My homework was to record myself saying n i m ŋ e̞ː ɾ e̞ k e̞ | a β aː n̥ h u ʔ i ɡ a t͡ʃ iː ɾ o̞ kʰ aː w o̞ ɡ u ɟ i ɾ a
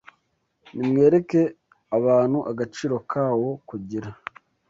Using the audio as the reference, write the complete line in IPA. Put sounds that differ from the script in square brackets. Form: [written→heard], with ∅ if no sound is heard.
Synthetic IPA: n i m ŋ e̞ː ɾ e̞ k e̞ | a β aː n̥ h u ʔ [i→a] ɡ a t͡ʃ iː ɾ o̞ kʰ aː w o̞ [ɡ→k] u ɟ i ɾ a

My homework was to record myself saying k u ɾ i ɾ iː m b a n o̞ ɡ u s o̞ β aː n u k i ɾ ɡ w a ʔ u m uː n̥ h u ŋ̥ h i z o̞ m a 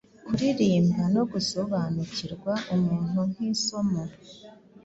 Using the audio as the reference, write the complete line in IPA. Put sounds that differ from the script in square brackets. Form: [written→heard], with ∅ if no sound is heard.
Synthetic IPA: k u ɾ i ɾ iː m b a n o̞ ɡ u s o̞ β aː n u [k→c] i ɾ ɡ w a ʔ u m uː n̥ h u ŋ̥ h i [z→s] o̞ m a

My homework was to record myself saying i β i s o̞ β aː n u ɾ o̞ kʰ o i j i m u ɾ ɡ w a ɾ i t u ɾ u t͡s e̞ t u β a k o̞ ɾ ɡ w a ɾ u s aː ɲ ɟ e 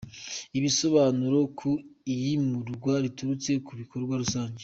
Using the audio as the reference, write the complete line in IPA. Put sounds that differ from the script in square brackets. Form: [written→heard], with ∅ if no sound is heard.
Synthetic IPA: i β i s o̞ β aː n u ɾ o̞ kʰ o i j i m u ɾ ɡ w a ɾ i t u ɾ u t͡s e̞ [t→k] u β [a→i] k o̞ ɾ ɡ w a ɾ u s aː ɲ ɟ e

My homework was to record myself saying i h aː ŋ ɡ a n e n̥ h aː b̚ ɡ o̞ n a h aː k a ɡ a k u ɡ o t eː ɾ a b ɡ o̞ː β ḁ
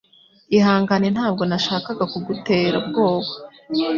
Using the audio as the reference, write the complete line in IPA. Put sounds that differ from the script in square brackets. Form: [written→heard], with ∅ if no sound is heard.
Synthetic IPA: i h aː ŋ ɡ a n e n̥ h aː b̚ ɡ o̞ n a [h→ʃ] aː k a ɡ a k u ɡ [o→u] t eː ɾ a b ɡ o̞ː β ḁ

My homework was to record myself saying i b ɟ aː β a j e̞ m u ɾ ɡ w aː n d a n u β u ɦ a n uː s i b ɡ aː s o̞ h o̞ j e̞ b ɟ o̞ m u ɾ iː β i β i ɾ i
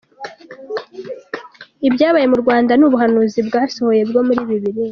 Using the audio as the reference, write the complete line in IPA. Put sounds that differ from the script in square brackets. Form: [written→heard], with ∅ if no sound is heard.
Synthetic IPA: i b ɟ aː β a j e̞ m u ɾ ɡ w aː n d a n u β u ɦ a n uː [s→z] i b ɡ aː s o̞ h o̞ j e̞ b [ɟ→ɡ] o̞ m u ɾ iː β i β i ɾ i

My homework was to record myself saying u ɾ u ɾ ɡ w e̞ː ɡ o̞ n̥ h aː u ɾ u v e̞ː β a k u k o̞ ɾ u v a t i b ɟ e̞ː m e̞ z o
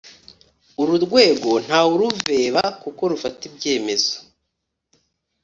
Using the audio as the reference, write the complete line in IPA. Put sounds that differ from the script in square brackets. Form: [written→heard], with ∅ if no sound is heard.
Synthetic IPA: u ɾ u ɾ ɡ w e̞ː ɡ o̞ n̥ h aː u ɾ u v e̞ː β a k u k o̞ ɾ u [v→f] a t i b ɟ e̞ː m e̞ z o

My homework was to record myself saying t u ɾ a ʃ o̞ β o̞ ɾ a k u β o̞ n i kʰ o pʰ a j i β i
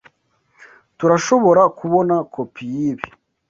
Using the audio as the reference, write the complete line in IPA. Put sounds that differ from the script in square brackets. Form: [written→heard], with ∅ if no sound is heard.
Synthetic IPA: t u ɾ a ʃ o̞ β o̞ ɾ a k u β o̞ n [i→a] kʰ o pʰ [a→i] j i β i

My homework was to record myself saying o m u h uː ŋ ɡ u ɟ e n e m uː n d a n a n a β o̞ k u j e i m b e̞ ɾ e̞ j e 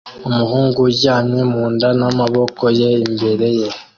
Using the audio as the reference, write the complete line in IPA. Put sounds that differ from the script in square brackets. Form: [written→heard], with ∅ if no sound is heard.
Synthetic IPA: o m u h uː ŋ ɡ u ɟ [e→a] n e m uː n d a n a [n→m] a β o̞ k [u→o] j e i m b e̞ ɾ e̞ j e

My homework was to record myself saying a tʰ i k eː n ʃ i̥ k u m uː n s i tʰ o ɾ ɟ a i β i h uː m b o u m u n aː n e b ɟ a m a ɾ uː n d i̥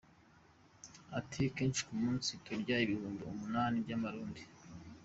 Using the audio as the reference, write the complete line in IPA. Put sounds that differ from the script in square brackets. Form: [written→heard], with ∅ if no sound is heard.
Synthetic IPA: a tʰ i k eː n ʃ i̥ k u m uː n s i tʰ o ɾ ɟ a i β i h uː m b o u m u n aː n [e→i] b ɟ a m a ɾ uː n d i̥

